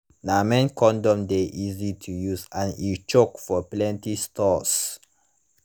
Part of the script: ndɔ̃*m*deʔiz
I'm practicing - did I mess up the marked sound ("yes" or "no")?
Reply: no